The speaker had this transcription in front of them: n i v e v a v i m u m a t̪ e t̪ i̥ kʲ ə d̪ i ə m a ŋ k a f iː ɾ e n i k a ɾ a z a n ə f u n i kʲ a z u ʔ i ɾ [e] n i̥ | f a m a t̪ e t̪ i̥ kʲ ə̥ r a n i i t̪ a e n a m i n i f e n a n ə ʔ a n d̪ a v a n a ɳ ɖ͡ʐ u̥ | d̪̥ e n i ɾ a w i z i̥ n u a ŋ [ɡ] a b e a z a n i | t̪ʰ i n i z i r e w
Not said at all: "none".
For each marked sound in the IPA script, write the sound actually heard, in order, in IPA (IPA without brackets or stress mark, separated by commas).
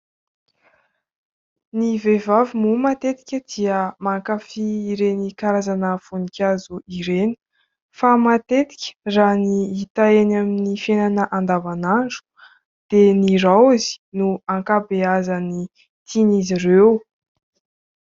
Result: e, k